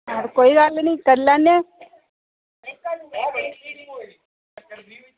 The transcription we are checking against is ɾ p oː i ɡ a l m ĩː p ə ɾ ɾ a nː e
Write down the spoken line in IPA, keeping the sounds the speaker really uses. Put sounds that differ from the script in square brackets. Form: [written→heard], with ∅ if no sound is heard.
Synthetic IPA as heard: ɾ [p→k] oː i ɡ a l [m→n] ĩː [p→k] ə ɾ [ɾ→l] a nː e